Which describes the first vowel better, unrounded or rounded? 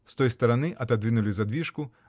rounded